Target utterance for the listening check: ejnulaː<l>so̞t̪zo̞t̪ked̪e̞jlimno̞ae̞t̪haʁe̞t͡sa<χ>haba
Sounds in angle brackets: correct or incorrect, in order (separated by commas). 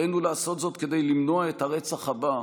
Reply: incorrect, correct